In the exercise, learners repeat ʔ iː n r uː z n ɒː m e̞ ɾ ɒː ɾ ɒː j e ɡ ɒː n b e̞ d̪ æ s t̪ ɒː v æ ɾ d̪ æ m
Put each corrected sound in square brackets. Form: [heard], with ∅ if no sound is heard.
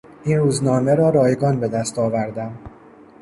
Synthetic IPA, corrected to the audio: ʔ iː n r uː z n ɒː m e̞ ɾ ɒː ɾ ɒː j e ɡ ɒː n b e̞ d̪ æ s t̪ ɒː v æ ɾ d̪ æ m

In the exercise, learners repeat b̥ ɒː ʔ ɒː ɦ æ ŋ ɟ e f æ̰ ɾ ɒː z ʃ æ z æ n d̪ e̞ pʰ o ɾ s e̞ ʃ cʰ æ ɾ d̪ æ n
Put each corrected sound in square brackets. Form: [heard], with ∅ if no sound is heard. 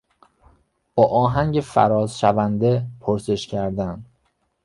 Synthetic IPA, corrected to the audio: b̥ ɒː ʔ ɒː ɦ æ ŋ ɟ e f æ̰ ɾ ɒː z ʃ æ [v] æ n d̪ e̞ pʰ o ɾ s e̞ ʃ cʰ æ ɾ d̪ æ n

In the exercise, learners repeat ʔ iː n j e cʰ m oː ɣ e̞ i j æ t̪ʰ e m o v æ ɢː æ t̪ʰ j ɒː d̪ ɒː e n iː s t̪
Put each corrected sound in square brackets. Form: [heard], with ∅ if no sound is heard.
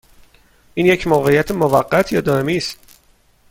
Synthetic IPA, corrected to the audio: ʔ iː n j e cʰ m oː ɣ e̞ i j æ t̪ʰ e m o v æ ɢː æ t̪ʰ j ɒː d̪ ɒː e [m] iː s t̪

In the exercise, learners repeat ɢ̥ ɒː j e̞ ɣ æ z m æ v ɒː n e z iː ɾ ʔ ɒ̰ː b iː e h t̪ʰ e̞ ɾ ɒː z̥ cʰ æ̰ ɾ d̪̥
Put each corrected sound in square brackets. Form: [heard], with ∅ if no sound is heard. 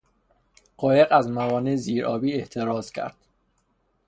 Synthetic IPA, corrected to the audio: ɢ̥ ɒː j e̞ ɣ æ z m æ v ɒː n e z iː ɾ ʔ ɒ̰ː b iː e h t̪ʰ e̞ ɾ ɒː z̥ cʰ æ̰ ɾ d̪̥

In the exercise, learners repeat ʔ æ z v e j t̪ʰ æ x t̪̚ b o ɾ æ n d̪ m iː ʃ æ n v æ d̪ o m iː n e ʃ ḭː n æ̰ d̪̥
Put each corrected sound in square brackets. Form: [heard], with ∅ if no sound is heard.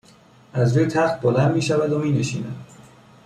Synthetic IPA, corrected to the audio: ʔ æ z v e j t̪ʰ æ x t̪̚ b o [l] æ n d̪ m iː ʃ æ [∅] v æ d̪ o m iː n e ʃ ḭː n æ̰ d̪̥

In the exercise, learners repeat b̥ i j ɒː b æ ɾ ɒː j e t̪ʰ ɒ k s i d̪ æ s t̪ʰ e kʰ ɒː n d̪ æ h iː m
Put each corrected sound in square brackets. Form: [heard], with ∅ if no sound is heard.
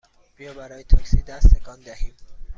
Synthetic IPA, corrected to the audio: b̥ i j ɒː b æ ɾ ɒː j e t̪ʰ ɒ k s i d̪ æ s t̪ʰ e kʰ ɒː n d̪ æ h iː m

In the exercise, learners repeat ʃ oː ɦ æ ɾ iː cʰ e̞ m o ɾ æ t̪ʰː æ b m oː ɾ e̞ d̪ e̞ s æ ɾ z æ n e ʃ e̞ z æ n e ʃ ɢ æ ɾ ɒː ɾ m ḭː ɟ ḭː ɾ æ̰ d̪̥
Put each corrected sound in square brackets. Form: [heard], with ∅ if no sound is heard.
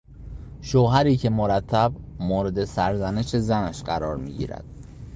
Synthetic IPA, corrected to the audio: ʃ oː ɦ æ ɾ iː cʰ e̞ m o ɾ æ t̪ʰː æ b m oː ɾ e̞ d̪ e̞ s æ ɾ z æ n e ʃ e̞ z æ n [æ] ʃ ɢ æ ɾ ɒː ɾ m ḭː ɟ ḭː ɾ æ̰ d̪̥

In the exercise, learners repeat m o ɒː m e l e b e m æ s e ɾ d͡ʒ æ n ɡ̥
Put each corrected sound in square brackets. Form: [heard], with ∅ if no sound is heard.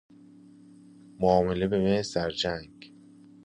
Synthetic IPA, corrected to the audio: m o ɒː m e l e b e m [e] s [æ] ɾ d͡ʒ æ [ŋ] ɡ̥

